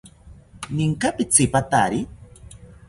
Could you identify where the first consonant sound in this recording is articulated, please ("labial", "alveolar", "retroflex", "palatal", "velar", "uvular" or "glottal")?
alveolar